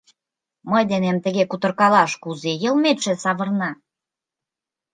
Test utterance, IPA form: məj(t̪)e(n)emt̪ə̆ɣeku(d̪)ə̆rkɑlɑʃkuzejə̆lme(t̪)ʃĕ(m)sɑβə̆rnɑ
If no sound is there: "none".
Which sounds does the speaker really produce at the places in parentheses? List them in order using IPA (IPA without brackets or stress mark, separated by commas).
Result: d̪, n, t̪, t̪, none